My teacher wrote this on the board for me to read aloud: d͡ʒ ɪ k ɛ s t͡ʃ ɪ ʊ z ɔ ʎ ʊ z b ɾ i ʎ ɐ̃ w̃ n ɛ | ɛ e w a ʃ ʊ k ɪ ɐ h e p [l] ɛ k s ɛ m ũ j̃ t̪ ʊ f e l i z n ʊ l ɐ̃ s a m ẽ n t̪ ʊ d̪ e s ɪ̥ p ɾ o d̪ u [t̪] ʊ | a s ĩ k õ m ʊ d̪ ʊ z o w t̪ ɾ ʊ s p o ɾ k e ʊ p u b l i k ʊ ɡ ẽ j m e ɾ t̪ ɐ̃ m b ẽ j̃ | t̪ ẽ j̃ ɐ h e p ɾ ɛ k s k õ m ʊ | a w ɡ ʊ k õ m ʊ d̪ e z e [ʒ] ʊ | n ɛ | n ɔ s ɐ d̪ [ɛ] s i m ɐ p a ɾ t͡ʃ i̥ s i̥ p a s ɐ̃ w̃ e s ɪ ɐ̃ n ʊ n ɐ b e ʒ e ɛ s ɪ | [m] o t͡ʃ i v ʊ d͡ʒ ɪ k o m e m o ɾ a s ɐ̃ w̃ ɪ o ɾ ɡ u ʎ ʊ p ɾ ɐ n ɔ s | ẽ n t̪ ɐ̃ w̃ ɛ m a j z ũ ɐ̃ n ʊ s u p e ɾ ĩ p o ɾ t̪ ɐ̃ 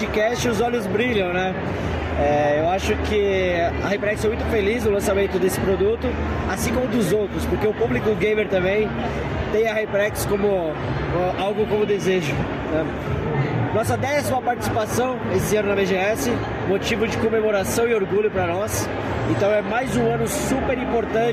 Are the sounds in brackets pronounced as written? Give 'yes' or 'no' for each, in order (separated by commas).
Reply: no, yes, yes, yes, yes